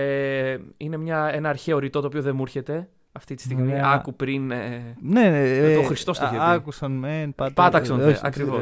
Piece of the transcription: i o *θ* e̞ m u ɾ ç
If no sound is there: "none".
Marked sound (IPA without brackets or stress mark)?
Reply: ð